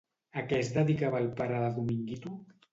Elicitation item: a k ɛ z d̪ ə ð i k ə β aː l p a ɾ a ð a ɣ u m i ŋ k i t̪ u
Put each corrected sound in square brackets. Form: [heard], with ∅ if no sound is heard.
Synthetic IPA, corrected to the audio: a k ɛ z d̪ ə ð i k [a] β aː l p a ɾ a ð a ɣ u m i ŋ [ɡ] i t̪ u